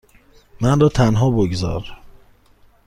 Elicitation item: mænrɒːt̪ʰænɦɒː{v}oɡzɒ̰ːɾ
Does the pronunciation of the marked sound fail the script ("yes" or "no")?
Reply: yes